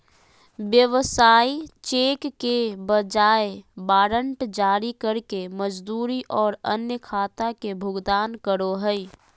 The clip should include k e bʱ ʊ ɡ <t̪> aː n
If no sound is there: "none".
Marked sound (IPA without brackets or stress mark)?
d̪